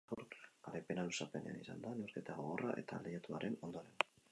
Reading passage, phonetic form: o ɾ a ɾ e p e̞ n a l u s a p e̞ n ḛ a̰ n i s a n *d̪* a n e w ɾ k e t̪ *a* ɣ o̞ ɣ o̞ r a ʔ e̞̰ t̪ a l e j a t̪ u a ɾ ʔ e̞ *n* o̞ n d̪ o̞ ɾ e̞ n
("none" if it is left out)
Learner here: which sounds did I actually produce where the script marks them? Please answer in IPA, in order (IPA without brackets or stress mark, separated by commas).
d̪, a, n